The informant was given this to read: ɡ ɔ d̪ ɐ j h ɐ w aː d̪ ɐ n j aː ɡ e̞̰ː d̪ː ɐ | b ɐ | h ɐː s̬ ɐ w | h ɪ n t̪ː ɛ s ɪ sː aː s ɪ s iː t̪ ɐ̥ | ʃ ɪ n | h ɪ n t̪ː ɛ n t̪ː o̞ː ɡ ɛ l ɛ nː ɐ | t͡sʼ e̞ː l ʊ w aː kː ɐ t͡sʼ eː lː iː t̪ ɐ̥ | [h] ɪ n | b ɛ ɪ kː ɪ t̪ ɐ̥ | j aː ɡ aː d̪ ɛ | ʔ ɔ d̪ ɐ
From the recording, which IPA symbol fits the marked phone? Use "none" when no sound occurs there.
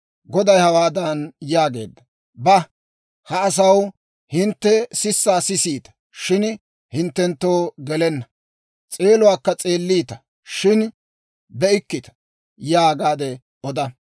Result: ʃ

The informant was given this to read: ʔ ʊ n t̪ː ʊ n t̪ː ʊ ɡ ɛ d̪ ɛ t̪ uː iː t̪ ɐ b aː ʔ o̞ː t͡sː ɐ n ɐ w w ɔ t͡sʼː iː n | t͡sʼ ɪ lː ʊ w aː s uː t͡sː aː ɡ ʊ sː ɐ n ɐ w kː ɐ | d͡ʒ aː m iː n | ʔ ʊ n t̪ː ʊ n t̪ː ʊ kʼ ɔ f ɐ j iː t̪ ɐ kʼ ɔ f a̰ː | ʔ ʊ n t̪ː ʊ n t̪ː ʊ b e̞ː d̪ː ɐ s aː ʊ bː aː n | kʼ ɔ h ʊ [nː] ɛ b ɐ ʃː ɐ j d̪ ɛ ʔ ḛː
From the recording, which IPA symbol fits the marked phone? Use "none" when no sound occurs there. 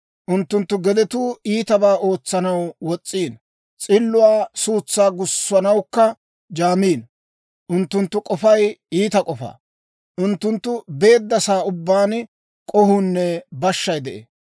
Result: nː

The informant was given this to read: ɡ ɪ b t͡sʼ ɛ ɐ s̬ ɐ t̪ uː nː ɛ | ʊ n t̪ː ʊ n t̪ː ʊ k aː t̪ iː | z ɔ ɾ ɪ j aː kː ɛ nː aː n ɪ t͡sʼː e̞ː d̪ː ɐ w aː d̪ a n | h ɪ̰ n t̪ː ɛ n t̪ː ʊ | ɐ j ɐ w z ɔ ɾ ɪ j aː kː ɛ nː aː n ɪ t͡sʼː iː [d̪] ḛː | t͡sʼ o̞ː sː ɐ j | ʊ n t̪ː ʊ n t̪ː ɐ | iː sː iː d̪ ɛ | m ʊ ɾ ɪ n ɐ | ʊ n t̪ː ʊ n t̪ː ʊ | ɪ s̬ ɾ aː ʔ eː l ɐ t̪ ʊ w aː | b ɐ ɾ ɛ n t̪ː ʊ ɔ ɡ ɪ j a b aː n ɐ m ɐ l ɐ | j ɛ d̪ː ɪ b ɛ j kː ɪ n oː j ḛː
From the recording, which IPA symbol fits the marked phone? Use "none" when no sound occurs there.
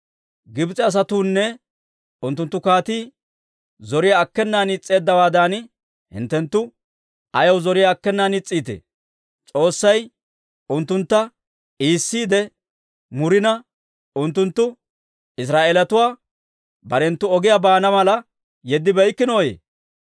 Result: t̪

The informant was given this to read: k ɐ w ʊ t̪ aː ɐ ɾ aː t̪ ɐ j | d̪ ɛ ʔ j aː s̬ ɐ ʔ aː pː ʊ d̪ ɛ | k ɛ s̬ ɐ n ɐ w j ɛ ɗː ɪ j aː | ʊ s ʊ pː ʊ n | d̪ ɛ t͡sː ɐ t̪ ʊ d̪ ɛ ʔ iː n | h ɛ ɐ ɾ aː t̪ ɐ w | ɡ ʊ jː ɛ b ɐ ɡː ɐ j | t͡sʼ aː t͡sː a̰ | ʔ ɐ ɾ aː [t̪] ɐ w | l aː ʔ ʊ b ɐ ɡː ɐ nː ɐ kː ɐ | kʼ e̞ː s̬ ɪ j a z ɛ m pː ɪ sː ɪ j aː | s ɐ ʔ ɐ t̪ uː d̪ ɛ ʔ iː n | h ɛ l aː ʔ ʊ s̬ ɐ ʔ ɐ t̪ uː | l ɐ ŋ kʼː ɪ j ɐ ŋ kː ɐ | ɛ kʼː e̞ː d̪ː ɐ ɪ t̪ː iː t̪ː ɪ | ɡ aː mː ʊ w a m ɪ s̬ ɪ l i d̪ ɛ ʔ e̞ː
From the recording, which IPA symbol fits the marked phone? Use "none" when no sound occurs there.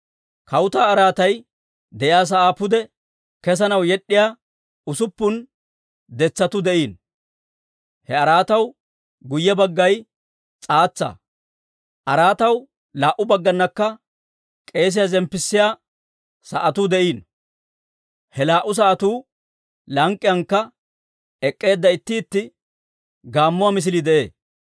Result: t̪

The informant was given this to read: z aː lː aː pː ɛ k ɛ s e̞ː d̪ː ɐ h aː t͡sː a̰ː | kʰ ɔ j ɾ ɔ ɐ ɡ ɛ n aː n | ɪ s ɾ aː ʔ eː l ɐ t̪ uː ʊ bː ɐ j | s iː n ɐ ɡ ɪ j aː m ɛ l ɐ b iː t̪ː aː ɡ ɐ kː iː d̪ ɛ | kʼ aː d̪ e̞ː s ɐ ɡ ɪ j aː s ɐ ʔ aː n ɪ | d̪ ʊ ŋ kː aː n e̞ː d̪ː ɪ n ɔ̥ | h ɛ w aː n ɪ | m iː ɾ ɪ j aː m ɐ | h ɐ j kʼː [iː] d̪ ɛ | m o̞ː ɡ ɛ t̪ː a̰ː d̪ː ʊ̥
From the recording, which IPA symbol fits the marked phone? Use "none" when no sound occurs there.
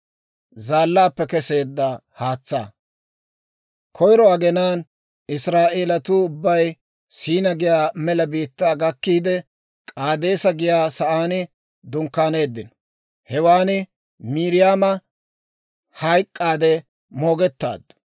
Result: aː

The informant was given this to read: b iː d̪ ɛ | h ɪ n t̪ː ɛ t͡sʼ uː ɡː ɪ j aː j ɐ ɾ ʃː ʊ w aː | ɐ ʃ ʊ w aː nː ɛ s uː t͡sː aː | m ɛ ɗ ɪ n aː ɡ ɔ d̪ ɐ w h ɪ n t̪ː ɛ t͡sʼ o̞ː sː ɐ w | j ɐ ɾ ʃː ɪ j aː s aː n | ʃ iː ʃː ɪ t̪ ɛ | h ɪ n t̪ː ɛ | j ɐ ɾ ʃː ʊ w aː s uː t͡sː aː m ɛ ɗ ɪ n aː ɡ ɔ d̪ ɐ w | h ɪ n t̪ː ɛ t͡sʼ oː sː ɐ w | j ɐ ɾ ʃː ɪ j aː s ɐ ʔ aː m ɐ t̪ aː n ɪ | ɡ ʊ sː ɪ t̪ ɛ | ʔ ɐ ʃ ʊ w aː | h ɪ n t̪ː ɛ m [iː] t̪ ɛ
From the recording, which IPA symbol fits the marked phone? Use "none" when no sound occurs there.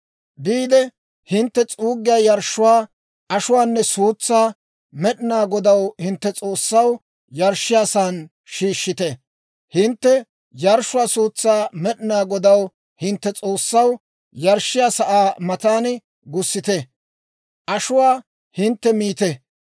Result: iː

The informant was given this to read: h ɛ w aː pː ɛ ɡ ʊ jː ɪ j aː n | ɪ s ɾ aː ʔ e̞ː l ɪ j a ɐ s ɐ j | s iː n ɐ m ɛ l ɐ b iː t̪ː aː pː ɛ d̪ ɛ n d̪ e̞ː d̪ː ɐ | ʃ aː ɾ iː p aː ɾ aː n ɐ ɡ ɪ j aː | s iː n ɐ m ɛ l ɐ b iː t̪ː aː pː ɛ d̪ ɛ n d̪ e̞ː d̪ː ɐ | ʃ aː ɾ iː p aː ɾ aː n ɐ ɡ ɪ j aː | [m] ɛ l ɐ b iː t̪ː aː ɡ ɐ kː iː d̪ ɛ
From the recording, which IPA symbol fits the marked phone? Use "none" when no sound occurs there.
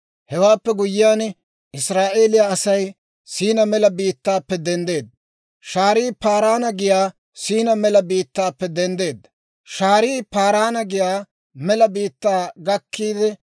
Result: m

